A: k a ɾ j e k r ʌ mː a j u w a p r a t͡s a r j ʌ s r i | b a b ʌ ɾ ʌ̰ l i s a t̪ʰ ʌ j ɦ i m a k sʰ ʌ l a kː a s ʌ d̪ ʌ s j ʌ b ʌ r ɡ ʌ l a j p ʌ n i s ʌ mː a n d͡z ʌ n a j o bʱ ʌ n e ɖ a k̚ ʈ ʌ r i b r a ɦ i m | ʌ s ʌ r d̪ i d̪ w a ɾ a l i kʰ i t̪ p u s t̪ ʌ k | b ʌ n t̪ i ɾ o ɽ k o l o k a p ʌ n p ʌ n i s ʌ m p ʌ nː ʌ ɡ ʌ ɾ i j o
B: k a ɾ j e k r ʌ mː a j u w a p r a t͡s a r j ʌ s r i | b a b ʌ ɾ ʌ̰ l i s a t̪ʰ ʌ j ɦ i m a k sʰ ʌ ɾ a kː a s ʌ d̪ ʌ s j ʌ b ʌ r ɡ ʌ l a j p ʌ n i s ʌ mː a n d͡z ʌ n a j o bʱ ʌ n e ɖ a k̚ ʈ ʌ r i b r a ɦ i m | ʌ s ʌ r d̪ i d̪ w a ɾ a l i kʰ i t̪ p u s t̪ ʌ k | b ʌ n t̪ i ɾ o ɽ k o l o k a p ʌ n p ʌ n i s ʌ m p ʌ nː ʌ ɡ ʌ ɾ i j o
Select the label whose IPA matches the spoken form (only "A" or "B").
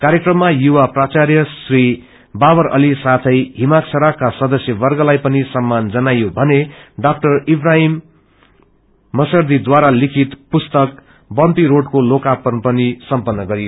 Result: B